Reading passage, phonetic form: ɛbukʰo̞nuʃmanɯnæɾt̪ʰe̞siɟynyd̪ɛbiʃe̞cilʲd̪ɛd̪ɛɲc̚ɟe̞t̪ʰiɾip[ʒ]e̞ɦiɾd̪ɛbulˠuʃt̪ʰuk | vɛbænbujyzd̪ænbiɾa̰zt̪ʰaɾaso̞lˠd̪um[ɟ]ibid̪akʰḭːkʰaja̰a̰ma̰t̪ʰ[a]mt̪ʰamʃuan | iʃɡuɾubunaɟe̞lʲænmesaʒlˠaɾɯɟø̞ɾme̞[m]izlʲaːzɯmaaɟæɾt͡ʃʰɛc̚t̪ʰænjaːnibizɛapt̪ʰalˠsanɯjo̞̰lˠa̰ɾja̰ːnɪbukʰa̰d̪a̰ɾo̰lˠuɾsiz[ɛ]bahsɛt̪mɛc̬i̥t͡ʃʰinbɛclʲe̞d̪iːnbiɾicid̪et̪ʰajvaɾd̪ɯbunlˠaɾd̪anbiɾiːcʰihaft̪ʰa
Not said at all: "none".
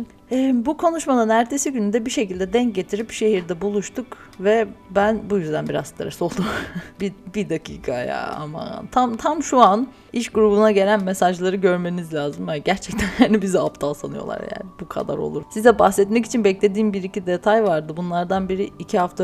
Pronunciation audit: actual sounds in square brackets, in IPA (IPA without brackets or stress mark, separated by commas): ʃ, b, a, n, ɛ